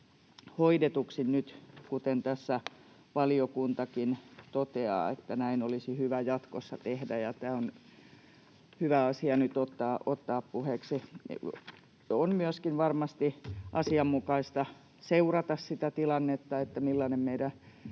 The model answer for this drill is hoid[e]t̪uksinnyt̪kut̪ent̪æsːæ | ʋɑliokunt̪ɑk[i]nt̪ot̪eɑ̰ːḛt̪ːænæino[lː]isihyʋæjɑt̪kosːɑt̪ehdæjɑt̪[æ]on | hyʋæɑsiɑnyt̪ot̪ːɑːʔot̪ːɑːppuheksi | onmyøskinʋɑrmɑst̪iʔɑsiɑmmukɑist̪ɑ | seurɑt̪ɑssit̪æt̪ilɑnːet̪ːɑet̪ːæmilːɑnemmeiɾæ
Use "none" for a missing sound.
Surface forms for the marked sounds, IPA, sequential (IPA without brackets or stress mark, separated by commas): e, i, l, æː